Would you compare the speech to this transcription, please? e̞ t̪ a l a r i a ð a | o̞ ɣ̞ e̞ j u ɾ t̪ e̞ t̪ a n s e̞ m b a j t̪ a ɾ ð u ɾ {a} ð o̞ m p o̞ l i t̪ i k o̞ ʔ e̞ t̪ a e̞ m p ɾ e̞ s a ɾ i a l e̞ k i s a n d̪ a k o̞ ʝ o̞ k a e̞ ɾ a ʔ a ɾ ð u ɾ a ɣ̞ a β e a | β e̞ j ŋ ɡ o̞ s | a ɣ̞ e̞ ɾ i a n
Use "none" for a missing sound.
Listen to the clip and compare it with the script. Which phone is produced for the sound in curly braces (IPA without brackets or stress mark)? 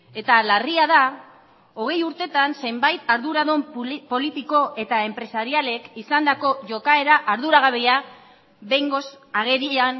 a